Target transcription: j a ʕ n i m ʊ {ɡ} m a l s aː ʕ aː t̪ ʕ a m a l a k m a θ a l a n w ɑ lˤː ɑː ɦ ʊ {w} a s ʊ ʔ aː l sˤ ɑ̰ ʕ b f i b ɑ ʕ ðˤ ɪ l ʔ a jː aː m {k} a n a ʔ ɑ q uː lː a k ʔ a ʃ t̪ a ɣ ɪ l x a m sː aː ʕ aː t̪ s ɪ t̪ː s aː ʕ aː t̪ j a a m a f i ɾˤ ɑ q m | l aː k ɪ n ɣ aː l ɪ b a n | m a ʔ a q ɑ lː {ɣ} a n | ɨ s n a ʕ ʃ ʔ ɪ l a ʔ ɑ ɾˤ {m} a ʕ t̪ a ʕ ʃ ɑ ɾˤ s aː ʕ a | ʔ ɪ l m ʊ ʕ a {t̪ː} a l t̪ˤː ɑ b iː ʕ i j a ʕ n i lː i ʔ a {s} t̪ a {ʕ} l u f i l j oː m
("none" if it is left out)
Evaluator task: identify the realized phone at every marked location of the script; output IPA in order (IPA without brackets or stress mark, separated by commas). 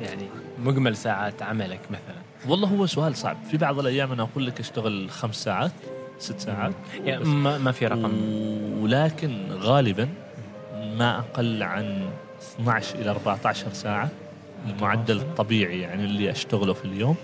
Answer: ɡ, wː, ʔ, ʕ, b, d̪ː, ʃ, ɣ